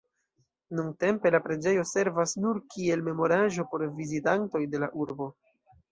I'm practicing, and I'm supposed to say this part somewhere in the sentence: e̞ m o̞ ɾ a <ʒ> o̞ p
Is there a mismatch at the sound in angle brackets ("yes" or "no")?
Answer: no